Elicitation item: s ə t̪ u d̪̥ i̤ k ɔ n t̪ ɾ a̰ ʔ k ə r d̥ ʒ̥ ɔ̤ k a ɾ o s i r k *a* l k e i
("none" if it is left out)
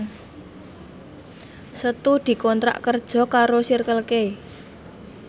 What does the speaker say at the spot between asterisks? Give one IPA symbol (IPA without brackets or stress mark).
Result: ə